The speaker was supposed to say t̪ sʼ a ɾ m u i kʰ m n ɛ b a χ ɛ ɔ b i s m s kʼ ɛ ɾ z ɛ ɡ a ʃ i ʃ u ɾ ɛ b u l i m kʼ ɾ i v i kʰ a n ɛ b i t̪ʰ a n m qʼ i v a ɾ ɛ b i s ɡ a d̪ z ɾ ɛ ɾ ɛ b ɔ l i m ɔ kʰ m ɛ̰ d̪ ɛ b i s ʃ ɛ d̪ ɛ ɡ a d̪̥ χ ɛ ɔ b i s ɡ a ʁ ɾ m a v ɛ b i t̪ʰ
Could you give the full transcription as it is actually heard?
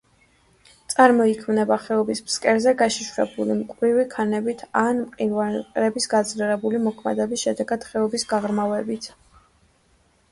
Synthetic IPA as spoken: t̪ sʼ a ɾ m ɔ i kʰ m n ɛ b a χ ɛ ɔ b i s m s kʼ ɛ ɾ z ɛ ɡ a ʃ i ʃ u ɾ ɛ b u l i m kʼ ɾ i v i kʰ a n ɛ b i t̪ʰ a n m qʼ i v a ɾ ɛ b i s ɡ a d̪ z l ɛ ɾ ɛ b u l i m ɔ kʰ m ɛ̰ d̪ ɛ b i s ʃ ɛ d̪ ɛ ɡ a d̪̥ χ ɛ ɔ b i s ɡ a ʁ ɾ m a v ɛ b i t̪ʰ